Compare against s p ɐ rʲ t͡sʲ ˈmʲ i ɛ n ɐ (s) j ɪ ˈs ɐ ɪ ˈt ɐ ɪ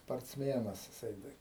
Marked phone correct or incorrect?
correct